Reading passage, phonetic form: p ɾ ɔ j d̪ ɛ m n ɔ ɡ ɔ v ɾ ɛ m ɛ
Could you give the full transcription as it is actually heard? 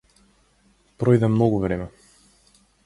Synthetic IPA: p ɾ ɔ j d̪ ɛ m n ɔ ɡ u v ɾ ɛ m ɛ